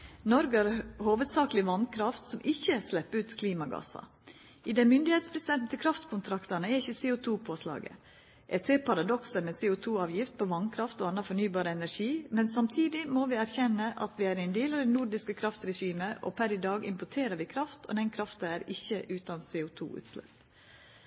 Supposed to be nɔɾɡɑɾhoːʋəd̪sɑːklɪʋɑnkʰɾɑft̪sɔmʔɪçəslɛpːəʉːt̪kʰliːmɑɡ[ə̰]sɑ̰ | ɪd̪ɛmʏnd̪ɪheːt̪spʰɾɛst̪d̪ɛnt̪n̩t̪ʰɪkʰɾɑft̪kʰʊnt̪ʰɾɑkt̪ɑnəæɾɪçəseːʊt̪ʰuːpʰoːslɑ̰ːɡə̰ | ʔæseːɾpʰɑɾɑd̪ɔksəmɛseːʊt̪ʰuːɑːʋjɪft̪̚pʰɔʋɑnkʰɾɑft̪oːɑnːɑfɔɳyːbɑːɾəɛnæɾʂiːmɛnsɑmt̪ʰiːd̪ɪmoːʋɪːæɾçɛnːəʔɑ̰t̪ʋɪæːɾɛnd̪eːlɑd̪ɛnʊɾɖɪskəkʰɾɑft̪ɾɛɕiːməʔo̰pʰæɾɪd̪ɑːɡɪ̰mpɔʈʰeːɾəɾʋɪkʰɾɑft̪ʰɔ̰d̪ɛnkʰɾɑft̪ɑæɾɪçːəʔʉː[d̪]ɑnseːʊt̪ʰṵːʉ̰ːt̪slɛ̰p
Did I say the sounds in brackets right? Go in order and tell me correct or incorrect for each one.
incorrect: ɑ̰, incorrect: t̪

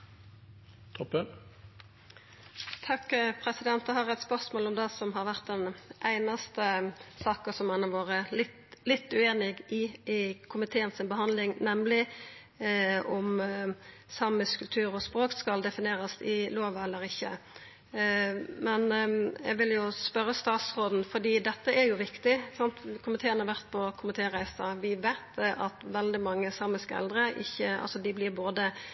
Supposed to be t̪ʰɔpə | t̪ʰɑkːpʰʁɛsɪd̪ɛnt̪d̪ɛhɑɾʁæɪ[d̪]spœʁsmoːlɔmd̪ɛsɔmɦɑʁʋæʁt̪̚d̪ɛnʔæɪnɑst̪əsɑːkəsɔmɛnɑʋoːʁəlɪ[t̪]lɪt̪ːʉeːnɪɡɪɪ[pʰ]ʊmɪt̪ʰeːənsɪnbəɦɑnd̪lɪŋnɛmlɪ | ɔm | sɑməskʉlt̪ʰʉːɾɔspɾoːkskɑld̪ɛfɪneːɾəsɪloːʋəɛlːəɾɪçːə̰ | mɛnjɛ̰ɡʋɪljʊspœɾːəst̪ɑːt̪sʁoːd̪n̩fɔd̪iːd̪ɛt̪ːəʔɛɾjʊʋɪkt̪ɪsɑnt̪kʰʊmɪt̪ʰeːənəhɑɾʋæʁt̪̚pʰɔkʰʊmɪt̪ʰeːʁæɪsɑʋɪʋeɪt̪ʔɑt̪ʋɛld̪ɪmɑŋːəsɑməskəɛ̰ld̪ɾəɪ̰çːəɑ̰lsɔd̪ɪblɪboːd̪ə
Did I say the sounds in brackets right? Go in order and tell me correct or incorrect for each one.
incorrect: t̪, correct, incorrect: kʰ

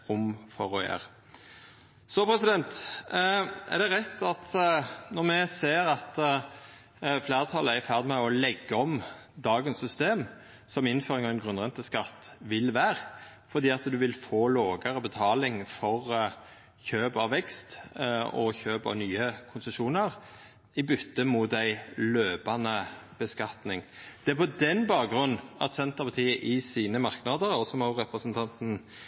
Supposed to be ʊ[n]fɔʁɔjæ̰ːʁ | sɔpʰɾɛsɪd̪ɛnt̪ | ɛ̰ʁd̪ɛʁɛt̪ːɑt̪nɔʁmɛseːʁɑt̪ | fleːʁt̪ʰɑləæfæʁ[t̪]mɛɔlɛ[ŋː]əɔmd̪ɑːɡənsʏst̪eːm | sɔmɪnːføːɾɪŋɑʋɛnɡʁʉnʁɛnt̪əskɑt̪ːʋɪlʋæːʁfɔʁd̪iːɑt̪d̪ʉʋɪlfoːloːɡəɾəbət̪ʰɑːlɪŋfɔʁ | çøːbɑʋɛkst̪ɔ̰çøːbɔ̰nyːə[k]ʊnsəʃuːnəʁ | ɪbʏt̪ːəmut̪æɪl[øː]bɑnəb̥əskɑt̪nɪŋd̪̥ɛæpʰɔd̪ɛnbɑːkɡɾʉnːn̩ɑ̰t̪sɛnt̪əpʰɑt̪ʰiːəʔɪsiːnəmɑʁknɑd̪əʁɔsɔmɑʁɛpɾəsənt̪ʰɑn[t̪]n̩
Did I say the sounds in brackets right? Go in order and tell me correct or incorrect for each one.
incorrect: m, incorrect: d̪, incorrect: ɡː, incorrect: kʰ, correct, correct

